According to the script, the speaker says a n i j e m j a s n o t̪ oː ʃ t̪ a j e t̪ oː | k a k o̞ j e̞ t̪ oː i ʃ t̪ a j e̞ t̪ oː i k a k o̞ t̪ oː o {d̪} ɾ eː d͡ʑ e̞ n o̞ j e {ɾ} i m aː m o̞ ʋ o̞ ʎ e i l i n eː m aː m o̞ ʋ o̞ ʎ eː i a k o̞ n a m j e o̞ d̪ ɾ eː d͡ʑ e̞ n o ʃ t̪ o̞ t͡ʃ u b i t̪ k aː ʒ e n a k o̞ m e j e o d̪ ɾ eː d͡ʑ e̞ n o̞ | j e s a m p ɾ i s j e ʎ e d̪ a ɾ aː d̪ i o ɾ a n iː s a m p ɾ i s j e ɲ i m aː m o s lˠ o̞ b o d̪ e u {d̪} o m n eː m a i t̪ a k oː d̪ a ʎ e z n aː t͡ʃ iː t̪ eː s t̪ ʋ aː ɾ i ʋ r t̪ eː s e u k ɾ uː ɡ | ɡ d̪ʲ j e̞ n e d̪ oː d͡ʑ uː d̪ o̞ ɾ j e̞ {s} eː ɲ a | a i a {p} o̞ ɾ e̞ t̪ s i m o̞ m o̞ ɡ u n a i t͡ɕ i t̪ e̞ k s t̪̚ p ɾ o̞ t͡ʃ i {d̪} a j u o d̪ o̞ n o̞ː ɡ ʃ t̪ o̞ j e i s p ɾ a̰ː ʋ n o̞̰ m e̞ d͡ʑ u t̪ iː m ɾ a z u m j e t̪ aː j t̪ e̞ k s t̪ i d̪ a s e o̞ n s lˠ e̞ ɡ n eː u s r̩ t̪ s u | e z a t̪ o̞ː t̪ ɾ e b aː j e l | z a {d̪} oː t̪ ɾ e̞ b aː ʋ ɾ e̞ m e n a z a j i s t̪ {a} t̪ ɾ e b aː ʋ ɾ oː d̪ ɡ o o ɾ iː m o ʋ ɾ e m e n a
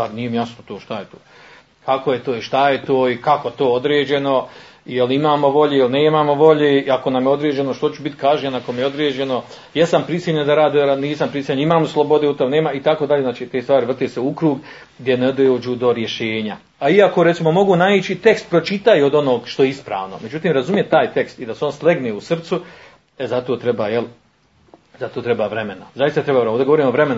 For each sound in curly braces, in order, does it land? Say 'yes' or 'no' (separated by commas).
yes, no, no, no, no, no, no, yes